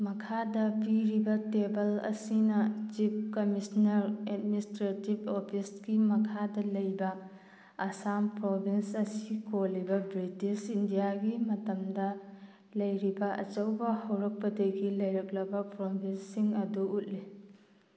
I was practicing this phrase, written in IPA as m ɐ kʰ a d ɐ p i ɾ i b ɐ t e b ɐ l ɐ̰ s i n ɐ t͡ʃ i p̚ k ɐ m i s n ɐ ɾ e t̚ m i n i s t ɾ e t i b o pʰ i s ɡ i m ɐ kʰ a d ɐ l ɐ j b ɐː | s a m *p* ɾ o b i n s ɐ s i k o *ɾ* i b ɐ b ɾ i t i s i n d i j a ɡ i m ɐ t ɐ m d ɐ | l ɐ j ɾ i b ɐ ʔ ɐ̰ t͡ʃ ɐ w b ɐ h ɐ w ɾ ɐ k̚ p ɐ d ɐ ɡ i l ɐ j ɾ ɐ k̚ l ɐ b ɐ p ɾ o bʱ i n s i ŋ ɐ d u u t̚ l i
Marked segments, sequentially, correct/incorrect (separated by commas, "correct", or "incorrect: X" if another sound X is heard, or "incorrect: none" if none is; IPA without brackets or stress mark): correct, incorrect: l